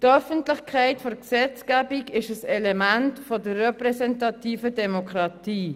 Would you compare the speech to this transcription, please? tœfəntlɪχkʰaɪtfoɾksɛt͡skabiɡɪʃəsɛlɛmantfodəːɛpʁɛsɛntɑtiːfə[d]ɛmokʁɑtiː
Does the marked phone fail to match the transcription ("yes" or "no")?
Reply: no